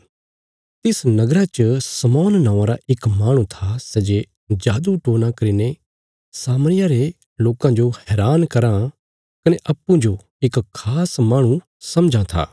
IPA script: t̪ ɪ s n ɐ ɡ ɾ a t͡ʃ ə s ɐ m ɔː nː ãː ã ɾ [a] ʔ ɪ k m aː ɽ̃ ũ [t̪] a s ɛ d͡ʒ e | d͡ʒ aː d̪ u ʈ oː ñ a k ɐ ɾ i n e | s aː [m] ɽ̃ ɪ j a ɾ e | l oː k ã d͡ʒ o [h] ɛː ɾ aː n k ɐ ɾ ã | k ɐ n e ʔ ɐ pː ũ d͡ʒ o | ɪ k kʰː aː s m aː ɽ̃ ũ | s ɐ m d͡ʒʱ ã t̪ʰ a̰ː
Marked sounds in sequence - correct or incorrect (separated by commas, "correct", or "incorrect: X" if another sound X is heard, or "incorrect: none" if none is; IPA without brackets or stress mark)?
correct, incorrect: t̪ʰ, correct, correct